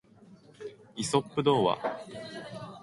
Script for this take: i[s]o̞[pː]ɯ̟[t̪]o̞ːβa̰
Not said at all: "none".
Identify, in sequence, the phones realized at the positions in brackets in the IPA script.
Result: s, pː, d̪

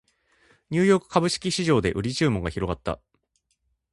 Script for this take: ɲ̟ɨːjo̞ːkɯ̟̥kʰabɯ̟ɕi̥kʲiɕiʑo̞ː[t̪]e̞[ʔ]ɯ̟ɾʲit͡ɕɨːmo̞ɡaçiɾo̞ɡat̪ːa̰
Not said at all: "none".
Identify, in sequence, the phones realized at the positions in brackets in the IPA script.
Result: d̪, ʔ

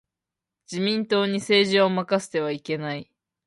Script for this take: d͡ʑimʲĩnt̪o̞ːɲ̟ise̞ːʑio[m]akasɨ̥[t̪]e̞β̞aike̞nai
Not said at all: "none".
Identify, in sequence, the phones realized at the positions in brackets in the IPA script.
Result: m, t̪

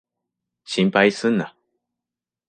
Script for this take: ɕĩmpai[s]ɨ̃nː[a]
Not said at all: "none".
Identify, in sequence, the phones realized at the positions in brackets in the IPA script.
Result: s, a

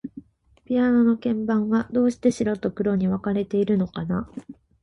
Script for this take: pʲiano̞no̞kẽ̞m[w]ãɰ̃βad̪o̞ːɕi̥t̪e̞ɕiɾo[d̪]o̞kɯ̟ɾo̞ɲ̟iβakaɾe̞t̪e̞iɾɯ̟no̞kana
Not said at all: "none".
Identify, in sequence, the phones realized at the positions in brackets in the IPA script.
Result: b, t̪

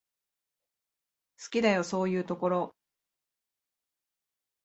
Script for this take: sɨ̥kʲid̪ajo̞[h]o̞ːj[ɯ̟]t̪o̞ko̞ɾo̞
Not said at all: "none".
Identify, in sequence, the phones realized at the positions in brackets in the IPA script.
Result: s, ɯ̟ː

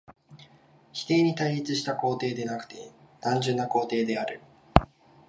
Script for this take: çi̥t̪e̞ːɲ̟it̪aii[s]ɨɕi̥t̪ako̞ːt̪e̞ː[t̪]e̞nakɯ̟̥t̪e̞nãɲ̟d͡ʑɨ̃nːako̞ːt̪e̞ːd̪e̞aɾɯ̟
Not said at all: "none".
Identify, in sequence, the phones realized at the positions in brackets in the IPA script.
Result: t͡s, d̪

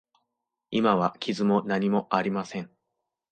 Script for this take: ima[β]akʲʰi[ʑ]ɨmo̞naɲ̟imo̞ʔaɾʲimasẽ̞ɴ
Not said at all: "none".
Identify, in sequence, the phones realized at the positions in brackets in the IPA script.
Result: β, z

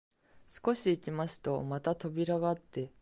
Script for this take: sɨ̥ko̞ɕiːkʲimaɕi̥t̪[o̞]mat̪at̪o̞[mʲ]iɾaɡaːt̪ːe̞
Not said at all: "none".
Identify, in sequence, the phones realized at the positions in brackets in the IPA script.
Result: o̞, bʲ

